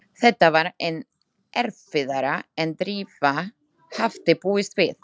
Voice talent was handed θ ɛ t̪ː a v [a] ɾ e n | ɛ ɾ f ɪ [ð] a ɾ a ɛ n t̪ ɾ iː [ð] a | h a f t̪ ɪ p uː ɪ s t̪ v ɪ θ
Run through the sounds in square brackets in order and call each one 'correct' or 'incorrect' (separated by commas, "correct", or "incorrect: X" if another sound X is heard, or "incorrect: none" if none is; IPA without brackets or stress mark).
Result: correct, correct, incorrect: v